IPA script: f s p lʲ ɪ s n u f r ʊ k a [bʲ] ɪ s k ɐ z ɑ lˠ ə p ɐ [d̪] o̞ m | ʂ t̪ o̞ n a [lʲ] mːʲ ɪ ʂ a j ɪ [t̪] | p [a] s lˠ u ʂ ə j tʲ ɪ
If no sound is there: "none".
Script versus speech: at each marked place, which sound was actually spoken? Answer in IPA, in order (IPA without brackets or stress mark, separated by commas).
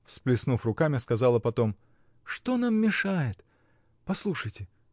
mʲ, t̪, none, t̪, ɐ